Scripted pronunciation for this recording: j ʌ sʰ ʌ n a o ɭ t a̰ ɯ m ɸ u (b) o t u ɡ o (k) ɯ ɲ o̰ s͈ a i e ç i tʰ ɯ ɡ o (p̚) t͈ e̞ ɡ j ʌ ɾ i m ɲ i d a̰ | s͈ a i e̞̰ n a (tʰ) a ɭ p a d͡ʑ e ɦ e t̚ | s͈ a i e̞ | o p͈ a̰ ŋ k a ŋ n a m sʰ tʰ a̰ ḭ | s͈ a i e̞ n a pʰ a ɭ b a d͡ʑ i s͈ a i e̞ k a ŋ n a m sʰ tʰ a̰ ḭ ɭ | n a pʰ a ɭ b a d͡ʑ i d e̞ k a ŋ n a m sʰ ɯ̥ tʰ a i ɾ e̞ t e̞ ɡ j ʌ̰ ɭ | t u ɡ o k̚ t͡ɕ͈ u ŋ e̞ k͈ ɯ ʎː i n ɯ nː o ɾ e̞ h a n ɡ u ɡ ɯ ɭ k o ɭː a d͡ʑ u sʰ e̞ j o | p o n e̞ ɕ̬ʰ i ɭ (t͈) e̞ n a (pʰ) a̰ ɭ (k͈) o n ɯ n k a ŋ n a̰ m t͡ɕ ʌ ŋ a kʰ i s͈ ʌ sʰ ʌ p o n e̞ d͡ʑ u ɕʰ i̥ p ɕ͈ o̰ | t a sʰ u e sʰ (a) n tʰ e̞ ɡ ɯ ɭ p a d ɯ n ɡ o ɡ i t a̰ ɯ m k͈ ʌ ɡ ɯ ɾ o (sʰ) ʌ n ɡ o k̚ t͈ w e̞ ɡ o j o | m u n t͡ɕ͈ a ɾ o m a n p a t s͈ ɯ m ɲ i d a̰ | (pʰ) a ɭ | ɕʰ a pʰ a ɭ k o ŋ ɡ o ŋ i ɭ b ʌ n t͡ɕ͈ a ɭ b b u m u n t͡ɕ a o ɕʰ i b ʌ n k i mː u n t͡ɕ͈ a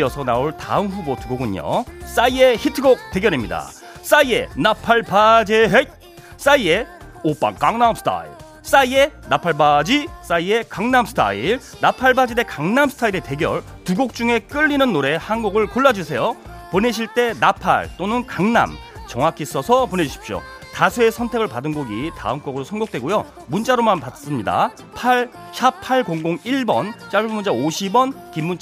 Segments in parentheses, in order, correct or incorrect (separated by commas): correct, incorrect, incorrect, incorrect, correct, correct, incorrect, incorrect, correct, correct